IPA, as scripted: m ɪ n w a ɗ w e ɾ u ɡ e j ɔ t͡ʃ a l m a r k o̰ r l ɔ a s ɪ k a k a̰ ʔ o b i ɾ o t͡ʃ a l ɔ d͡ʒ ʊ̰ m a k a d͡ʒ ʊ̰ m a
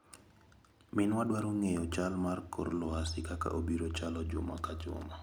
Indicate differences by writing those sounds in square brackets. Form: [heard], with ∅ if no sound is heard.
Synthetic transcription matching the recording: m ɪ n w a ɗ w [a] ɾ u [ŋ] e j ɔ t͡ʃ a l m a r k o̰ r l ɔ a s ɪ k a k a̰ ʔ o b i ɾ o t͡ʃ a l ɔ d͡ʒ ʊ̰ m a k a d͡ʒ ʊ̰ m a